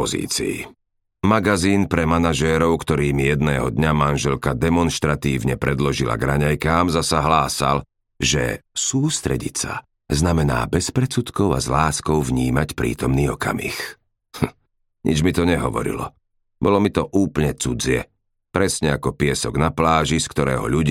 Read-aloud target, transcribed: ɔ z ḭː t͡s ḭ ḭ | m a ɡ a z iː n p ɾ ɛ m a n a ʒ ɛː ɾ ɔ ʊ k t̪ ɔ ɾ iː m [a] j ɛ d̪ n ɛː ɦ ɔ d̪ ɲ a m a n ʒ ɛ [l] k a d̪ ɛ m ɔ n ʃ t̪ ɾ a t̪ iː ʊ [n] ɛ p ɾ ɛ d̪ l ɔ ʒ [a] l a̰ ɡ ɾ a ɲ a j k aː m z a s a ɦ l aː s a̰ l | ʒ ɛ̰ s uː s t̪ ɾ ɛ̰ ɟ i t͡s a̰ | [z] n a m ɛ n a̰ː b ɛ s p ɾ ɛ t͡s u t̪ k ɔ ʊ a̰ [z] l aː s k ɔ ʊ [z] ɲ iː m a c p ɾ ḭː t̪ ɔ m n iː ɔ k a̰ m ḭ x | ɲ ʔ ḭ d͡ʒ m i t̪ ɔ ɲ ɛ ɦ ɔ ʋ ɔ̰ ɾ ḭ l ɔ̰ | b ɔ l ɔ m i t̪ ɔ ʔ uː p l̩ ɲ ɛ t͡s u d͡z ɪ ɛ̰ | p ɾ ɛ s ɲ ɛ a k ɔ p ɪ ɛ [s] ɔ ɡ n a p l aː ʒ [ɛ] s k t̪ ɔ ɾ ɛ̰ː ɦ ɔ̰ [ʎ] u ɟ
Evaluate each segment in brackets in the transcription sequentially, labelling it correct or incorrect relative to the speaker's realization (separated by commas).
incorrect, correct, incorrect, incorrect, correct, correct, incorrect, correct, incorrect, correct